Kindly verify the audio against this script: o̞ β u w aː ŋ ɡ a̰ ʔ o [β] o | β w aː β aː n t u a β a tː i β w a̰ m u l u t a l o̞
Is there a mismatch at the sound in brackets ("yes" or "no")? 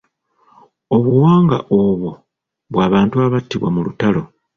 no